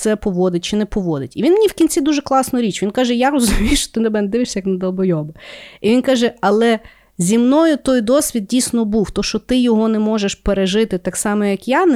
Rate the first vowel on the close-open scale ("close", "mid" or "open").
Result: mid